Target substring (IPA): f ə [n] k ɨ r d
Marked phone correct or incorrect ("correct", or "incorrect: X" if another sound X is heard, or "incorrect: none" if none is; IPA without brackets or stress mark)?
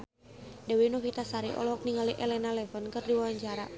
correct